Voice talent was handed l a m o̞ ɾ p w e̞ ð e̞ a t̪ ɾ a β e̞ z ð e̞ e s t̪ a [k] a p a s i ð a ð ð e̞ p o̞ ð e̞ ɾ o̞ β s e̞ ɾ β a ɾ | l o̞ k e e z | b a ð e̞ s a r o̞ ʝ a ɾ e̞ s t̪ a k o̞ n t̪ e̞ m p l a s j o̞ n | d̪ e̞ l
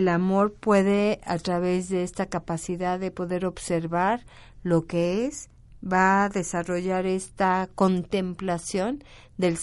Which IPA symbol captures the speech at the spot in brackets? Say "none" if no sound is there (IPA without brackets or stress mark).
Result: k